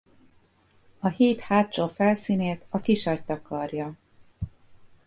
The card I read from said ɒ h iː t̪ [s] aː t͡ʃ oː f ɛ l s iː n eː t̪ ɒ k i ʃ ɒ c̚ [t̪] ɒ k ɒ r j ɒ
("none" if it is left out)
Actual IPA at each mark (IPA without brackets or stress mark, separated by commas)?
h, t̪